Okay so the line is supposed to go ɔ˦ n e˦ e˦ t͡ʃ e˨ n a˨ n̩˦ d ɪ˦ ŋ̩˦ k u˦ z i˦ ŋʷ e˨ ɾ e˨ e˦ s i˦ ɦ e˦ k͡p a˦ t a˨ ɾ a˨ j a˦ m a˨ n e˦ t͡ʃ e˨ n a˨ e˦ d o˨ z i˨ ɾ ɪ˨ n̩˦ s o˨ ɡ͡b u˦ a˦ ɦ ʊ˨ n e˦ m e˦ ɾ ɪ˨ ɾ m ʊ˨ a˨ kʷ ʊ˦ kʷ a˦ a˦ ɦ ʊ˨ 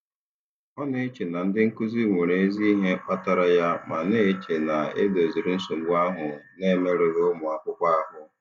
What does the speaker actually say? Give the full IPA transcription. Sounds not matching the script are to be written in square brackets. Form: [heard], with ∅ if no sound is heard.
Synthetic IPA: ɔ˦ n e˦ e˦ t͡ʃ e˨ n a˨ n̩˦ d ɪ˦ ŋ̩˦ k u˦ z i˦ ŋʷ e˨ ɾ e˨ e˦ [z] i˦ ɦ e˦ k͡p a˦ t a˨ ɾ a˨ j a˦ m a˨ n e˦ t͡ʃ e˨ n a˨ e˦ d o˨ z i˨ ɾ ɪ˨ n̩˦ s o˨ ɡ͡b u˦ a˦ ɦ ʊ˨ n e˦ m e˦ ɾ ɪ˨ ɾ m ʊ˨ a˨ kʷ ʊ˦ kʷ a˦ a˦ ɦ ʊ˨

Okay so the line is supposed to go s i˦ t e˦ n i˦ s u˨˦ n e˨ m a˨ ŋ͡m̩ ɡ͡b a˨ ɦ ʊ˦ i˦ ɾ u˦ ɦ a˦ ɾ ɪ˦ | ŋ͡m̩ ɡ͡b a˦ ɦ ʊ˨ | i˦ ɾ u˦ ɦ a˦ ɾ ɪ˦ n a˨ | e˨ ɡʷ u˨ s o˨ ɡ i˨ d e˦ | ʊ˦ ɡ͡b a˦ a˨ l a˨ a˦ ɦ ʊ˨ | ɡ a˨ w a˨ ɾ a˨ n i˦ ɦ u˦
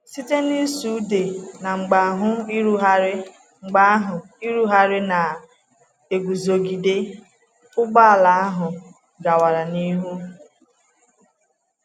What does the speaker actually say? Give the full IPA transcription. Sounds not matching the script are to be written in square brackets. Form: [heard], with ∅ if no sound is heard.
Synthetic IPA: s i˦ t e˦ n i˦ s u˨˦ [d] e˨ [n] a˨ ŋ͡m̩ ɡ͡b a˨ ɦ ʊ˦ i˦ ɾ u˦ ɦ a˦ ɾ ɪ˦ | ŋ͡m̩ ɡ͡b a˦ ɦ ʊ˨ | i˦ ɾ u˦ ɦ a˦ ɾ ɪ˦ n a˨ | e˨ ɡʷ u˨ [z] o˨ ɡ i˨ d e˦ | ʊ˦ ɡ͡b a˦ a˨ l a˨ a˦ ɦ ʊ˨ | ɡ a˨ w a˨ ɾ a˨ n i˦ ɦ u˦

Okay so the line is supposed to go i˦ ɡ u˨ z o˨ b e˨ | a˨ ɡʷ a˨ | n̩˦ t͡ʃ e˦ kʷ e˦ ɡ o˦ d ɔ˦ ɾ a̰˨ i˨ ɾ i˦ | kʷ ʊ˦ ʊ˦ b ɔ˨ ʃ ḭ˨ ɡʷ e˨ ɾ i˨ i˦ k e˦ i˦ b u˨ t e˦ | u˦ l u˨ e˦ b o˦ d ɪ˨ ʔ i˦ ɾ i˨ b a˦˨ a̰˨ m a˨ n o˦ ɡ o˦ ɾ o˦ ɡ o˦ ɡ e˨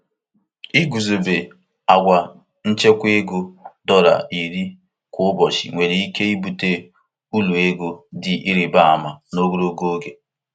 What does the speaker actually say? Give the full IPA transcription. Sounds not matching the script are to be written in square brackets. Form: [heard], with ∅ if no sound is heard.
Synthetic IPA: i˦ ɡ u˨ z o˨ b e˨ | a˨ ɡʷ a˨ | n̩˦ t͡ʃ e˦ kʷ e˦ ɡ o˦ d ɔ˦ ɾ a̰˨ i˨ ɾ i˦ | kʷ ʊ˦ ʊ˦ b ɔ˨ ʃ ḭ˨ [ŋʷ] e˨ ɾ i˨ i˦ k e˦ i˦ b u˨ t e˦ | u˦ l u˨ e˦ [ɡ] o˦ d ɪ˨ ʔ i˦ ɾ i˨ b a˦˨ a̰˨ m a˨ n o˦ ɡ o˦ ɾ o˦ ɡ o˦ ɡ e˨

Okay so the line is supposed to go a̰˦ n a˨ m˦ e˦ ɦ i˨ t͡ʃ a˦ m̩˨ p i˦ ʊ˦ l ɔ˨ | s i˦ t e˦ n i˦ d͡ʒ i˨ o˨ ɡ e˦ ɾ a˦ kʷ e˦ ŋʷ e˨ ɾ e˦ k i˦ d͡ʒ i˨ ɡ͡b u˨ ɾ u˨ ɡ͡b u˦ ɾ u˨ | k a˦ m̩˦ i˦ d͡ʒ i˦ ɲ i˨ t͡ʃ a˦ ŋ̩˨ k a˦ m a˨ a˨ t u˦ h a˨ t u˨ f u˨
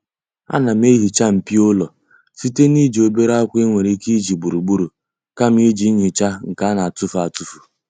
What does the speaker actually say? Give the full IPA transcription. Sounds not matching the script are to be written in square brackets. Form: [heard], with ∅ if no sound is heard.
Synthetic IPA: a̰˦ n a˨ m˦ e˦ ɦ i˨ t͡ʃ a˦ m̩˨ p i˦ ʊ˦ l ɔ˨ | s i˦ t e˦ n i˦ d͡ʒ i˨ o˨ [b] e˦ ɾ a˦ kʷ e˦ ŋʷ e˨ ɾ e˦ k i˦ d͡ʒ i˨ ɡ͡b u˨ ɾ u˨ ɡ͡b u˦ ɾ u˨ | k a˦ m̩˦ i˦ d͡ʒ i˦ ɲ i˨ t͡ʃ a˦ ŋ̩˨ k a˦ [n] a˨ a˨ t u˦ [f] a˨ t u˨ f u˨

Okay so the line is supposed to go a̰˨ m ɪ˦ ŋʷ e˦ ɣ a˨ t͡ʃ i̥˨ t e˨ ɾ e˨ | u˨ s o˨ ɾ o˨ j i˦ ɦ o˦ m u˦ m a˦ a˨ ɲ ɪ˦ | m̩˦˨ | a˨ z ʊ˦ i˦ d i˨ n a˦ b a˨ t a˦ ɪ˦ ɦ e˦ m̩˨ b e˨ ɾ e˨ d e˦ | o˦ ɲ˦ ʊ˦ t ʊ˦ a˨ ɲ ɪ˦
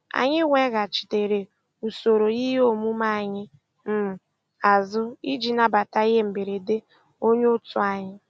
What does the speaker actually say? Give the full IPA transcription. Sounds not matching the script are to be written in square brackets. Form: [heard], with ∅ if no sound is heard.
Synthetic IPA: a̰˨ [ɲ] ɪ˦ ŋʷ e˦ ɣ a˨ t͡ʃ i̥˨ t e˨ ɾ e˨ | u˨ s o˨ ɾ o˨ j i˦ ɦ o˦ m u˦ m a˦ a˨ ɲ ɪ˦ | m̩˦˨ | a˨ z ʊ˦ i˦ [d͡ʒ] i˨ n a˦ b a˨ t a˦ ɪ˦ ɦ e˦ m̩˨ b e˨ ɾ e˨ d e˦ | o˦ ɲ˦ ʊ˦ t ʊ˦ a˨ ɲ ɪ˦

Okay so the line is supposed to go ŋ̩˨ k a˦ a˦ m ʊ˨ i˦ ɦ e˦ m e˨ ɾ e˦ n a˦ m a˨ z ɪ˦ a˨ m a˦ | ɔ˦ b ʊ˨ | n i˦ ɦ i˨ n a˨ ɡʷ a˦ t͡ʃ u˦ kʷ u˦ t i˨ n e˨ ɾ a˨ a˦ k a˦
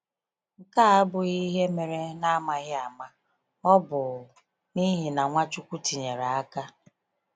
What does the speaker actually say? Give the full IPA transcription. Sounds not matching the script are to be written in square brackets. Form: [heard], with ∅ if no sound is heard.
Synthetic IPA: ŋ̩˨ k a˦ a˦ [b] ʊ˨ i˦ ɦ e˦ m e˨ ɾ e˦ n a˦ m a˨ [ɣ] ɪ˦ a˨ m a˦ | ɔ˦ b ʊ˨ | n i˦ ɦ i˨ n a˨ [ŋʷ] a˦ t͡ʃ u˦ kʷ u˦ t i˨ [ɲ] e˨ ɾ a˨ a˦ k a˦

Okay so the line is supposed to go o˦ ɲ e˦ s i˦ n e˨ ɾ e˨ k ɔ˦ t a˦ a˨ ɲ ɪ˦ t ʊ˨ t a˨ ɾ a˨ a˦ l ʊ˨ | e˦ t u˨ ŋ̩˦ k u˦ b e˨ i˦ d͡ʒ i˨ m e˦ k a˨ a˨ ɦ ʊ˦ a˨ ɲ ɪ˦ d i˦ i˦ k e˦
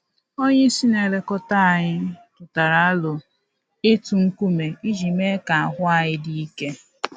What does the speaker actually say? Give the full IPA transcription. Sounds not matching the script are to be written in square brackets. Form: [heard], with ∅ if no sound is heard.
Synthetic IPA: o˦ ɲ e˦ s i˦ n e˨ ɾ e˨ k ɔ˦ t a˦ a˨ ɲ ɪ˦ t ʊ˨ t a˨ ɾ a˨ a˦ l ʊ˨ | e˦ t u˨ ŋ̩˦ k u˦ [m] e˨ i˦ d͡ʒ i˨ m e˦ k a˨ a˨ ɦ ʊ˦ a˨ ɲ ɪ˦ d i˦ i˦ k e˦

